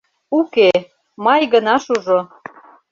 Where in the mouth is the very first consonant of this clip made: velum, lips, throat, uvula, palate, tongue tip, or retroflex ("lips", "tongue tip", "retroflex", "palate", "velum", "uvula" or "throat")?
velum